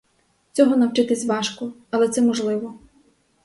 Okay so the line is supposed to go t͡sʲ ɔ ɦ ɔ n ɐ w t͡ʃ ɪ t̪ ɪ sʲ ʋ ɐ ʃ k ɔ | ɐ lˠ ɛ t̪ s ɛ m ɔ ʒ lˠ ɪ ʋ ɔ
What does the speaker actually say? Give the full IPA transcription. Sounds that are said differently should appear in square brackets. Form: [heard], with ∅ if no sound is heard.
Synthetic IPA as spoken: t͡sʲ ɔ ɦ ɔ n ɐ w t͡ʃ ɪ t̪ ɪ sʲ ʋ [ɑ] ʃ k ɔ | ɐ lˠ ɛ t̪ s ɛ m ɔ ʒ lˠ ɪ ʋ ɔ